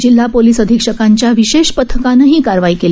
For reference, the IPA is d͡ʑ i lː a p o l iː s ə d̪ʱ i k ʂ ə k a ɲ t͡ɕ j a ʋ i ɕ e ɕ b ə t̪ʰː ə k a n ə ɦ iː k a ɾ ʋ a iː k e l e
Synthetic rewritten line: d͡ʑ i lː a p o l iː s ə d̪ʱ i k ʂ ə k a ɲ t͡ɕ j a ʋ i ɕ e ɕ p ə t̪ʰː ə k a n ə ɦ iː k a ɾ ʋ a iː k e l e